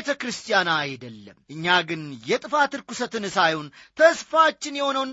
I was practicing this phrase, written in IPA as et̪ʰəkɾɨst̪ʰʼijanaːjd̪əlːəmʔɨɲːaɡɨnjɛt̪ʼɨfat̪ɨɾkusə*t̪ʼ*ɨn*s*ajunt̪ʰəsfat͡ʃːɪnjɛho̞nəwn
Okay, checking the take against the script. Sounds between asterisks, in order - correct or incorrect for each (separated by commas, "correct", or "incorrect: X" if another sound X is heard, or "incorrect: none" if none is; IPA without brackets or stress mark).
incorrect: t̪, correct